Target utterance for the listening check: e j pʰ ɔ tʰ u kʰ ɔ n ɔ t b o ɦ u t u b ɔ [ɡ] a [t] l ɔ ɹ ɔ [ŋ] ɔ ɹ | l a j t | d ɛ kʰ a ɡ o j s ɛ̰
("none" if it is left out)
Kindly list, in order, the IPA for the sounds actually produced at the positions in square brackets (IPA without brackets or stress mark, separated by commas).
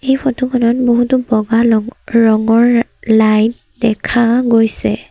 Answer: ɡ, none, ŋ